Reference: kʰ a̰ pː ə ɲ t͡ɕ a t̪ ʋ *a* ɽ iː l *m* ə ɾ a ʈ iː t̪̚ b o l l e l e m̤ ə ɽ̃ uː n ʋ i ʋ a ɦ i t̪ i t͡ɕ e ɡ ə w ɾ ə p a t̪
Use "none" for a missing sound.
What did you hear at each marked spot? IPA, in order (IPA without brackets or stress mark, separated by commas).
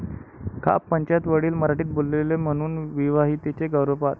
ə, m